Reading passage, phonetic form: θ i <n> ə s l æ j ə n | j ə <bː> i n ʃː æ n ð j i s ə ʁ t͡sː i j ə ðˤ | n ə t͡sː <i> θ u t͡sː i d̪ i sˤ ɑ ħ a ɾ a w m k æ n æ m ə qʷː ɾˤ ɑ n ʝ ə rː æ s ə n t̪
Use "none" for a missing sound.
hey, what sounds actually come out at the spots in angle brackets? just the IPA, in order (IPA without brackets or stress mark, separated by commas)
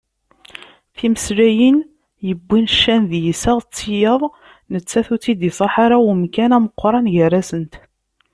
m, bː, æ